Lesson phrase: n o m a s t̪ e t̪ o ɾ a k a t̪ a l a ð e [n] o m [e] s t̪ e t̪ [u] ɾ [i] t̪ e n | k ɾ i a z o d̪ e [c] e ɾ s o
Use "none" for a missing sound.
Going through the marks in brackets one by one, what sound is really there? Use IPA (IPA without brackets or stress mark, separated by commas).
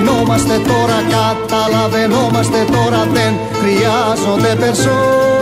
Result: n, a, o, a, p